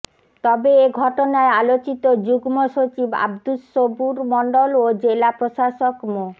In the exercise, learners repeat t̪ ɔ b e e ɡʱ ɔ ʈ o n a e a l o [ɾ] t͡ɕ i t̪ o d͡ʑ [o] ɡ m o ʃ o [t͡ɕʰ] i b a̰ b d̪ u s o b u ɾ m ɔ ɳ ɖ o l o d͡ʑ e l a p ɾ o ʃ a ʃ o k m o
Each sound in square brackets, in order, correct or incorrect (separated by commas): incorrect, incorrect, incorrect